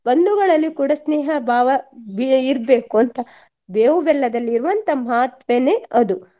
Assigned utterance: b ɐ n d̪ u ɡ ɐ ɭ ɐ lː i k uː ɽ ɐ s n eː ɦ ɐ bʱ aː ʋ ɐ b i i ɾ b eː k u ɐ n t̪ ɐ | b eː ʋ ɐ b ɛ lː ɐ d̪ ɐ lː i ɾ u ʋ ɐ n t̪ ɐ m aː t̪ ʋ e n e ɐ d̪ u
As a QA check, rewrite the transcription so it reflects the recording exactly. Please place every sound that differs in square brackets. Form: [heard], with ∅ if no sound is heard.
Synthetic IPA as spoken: b ɐ n d̪ u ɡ ɐ ɭ ɐ lː i k uː ɽ ɐ s n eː ɦ ɐ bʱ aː ʋ ɐ b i i ɾ b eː k u ɐ n t̪ ɐ | b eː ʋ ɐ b ɛ lː ɐ d̪ ɐ lː [iː] ɾ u ʋ ɐ n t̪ ɐ m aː t̪ ʋ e n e ɐ d̪ u